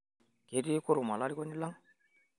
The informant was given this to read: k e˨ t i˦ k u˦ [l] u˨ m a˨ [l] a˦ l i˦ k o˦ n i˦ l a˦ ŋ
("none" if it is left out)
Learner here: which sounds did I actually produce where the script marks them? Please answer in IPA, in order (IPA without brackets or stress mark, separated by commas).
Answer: ɾ, l